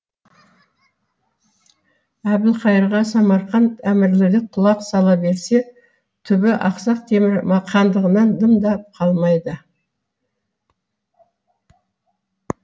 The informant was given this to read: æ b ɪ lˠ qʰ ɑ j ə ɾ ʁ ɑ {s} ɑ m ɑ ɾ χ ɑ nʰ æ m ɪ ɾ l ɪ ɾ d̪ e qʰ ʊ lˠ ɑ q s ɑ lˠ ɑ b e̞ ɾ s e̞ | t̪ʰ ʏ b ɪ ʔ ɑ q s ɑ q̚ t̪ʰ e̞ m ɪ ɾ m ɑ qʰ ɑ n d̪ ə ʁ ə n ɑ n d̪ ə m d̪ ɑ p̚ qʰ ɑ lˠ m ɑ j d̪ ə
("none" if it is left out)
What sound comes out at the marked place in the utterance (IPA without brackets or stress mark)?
s